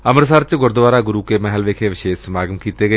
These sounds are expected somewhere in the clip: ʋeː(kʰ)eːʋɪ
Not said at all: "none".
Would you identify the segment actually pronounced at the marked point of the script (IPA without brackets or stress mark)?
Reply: kʰ